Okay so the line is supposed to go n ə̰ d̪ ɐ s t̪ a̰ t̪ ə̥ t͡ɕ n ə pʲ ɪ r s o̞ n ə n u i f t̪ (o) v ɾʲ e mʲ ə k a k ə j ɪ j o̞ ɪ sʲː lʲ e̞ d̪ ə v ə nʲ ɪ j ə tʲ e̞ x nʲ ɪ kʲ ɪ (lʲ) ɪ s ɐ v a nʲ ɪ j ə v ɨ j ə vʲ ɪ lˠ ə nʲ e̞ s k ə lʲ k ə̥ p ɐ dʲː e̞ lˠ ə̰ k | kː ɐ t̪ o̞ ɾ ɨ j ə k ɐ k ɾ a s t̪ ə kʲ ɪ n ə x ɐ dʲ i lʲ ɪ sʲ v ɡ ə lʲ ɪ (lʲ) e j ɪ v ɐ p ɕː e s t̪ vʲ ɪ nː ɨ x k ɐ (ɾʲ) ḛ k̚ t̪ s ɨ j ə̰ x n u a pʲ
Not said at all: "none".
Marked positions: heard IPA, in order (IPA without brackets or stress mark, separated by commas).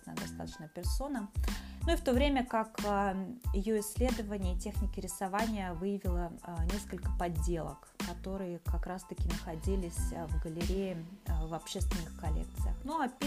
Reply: o, ɾʲ, ɾʲ, lʲ